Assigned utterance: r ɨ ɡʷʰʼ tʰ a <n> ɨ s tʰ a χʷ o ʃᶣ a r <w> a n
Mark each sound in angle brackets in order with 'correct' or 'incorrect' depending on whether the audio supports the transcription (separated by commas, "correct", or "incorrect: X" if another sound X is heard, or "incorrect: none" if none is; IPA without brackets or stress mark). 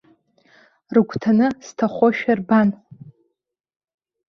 correct, incorrect: b